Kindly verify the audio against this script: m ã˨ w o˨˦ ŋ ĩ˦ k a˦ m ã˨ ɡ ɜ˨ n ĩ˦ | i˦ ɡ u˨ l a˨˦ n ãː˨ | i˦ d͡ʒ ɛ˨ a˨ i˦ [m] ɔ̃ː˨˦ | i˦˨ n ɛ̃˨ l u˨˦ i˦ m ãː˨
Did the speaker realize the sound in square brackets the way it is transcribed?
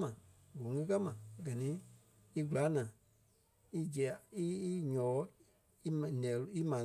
no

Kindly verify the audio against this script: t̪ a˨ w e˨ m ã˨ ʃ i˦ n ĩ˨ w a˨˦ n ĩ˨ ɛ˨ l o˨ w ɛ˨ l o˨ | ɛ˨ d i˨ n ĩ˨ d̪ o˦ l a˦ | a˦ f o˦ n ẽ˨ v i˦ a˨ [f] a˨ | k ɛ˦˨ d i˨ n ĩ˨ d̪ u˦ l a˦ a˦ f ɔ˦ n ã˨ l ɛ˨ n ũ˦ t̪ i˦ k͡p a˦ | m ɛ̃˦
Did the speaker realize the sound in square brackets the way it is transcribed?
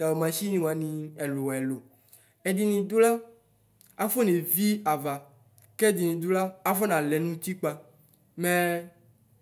no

